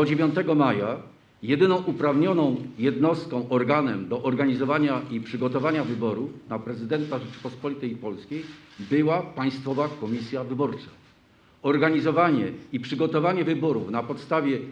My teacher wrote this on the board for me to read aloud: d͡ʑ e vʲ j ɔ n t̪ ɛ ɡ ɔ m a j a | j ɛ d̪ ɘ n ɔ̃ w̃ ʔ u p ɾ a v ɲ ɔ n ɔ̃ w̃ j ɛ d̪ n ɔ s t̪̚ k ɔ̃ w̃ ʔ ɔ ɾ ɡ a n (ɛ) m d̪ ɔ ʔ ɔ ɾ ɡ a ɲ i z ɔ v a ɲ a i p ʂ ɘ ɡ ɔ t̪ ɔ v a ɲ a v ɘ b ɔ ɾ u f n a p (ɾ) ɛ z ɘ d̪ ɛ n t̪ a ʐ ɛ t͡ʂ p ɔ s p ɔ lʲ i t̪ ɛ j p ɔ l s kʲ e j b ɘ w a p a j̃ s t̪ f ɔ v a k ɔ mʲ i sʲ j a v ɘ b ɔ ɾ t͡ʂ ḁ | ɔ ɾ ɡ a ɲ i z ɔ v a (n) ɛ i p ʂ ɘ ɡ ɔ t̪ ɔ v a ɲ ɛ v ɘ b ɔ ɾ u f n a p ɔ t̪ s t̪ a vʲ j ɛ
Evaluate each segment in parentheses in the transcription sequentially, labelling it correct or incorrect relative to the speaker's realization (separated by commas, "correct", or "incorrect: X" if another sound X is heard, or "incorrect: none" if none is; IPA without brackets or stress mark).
correct, correct, incorrect: ɲ